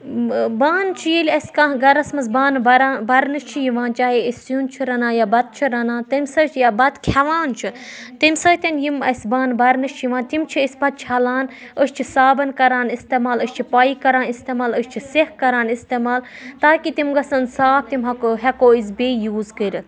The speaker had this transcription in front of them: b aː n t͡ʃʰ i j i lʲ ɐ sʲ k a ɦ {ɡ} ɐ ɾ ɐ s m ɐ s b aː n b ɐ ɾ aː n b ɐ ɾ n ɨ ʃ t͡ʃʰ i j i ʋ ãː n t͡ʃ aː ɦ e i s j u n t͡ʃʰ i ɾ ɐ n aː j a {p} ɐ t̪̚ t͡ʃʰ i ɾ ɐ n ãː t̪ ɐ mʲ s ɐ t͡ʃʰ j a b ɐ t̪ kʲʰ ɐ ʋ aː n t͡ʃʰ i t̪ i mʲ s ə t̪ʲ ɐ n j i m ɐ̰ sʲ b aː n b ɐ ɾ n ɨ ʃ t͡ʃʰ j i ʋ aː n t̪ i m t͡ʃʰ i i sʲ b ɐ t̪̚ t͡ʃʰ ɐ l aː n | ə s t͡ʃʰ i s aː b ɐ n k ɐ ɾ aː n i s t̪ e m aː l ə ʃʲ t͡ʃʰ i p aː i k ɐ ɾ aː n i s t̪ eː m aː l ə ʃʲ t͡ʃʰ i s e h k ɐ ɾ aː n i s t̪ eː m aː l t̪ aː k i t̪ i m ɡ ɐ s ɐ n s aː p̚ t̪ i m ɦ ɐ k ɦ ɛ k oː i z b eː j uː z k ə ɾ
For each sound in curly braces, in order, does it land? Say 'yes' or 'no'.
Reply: yes, no

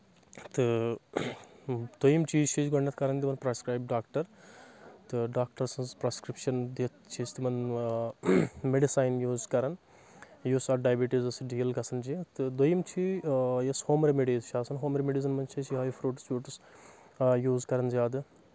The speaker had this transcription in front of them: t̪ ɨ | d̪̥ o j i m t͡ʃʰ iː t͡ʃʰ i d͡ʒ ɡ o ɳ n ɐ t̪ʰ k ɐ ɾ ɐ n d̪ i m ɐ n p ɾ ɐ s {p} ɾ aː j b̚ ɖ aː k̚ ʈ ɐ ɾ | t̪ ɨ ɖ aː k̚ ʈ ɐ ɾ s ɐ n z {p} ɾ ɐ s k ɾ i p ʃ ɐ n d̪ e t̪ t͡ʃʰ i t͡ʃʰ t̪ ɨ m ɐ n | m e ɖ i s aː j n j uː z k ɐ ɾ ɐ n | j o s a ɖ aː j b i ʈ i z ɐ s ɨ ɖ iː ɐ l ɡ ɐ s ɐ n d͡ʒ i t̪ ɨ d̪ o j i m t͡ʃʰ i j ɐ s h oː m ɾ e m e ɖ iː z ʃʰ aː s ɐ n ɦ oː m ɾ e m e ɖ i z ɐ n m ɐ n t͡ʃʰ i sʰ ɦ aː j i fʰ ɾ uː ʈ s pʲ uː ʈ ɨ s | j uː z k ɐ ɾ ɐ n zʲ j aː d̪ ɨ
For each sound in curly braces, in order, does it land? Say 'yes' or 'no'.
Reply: no, yes

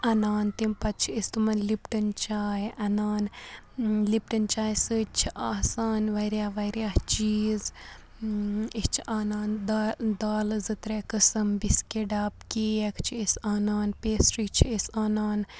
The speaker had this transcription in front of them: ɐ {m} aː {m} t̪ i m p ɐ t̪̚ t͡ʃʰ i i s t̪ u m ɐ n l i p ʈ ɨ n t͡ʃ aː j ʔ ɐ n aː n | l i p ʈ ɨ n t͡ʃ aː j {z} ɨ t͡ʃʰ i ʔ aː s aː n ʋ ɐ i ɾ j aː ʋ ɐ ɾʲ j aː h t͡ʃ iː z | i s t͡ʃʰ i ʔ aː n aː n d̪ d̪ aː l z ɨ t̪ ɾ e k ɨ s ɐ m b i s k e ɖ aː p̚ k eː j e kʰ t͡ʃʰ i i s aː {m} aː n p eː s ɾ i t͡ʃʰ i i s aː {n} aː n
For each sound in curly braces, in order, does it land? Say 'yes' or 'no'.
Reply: no, no, no, no, yes

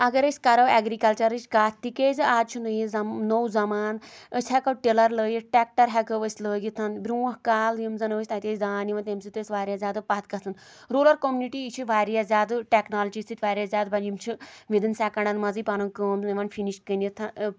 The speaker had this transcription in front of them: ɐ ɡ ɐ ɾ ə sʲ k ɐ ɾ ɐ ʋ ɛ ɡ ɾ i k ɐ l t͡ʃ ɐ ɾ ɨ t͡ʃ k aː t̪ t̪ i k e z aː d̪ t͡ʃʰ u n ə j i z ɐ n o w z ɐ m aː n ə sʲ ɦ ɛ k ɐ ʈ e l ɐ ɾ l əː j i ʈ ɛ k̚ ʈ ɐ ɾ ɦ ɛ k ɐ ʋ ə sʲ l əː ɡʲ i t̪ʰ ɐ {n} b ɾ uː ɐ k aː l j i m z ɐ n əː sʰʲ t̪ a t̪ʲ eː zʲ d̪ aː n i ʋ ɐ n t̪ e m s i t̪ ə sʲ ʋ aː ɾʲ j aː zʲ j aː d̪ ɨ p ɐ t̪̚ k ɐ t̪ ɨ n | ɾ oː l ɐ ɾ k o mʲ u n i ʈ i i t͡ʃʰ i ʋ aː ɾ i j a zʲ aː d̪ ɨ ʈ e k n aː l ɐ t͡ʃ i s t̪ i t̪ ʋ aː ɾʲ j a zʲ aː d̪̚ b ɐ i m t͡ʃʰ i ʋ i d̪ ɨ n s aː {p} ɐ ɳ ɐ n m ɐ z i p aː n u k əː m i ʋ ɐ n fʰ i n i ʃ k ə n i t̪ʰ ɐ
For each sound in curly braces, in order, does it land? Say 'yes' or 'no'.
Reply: yes, no

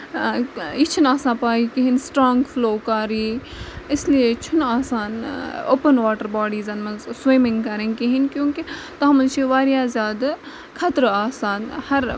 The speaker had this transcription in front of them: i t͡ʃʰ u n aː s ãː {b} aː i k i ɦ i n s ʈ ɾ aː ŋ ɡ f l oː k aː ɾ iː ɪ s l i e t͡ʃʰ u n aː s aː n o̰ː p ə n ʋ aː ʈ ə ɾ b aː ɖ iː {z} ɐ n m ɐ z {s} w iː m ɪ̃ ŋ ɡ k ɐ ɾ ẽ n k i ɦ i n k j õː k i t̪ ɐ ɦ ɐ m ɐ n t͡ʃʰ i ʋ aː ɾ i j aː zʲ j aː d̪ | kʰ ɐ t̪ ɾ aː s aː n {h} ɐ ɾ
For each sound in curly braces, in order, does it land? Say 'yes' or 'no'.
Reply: no, yes, yes, yes

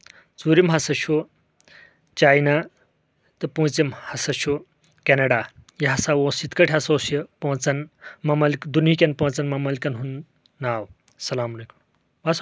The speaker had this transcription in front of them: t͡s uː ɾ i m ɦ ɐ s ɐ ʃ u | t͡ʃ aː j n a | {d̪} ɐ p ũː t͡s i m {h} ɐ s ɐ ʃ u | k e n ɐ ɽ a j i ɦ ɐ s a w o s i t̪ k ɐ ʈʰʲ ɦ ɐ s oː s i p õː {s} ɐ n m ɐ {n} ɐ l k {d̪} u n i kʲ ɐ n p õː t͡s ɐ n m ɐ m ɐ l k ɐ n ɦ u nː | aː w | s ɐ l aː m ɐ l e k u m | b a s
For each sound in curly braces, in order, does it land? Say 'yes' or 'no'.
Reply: no, yes, no, no, yes

